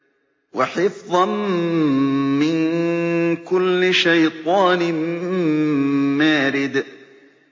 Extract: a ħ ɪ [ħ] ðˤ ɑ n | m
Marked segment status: incorrect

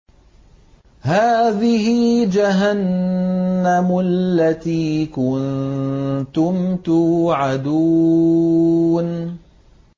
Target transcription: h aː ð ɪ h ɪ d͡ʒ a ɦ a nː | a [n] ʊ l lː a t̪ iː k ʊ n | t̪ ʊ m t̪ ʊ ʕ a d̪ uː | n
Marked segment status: incorrect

